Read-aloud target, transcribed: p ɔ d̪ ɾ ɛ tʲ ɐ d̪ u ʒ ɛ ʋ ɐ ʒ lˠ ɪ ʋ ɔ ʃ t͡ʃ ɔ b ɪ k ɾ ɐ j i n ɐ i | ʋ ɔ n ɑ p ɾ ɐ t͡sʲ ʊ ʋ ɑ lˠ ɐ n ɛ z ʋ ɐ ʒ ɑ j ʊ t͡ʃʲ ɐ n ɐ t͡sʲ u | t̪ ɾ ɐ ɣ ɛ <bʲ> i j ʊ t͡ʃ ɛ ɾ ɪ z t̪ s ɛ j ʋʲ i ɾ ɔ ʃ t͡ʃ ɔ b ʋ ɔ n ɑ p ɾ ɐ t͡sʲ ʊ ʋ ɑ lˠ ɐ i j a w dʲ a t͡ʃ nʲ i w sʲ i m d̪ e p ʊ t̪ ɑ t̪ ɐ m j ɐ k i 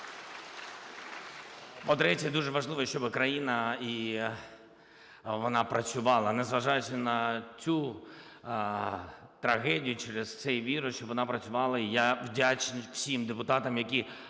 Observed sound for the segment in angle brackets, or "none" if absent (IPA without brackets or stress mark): dʲ